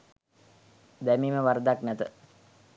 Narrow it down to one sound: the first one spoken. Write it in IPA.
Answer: d̪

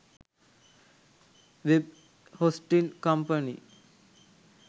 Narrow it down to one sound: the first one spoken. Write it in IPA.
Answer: ʋ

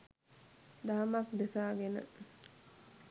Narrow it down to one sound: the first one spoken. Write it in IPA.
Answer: d̪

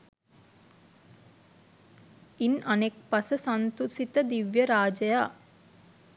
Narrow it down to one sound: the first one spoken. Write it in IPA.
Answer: i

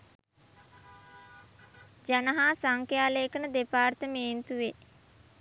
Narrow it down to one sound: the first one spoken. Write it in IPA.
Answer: d͡ʒ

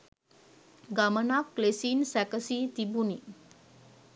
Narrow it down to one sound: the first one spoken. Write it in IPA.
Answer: ɡ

